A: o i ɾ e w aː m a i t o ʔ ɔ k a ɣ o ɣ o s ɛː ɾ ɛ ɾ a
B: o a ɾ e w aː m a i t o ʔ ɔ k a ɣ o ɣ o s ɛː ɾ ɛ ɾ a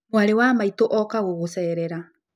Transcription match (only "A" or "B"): B